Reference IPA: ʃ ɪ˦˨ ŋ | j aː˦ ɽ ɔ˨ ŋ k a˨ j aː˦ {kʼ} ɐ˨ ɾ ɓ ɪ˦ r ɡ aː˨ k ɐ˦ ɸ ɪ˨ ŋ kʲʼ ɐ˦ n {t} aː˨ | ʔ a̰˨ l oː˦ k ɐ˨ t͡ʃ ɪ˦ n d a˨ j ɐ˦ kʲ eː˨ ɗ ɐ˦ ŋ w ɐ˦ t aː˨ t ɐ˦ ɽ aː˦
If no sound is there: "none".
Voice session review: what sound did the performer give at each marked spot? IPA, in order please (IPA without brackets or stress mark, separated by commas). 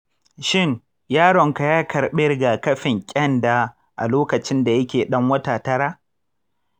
k, d